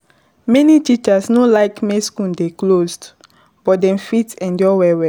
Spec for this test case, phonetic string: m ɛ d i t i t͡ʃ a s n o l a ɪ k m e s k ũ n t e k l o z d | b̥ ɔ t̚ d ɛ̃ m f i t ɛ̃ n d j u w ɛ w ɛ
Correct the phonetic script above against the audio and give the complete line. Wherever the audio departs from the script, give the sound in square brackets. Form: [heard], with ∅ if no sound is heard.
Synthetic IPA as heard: m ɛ [n] i t i t͡ʃ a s n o l a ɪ k m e s k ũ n [d] e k l o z d | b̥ ɔ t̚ d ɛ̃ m f i t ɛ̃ n d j [ɔ] w ɛ w ɛ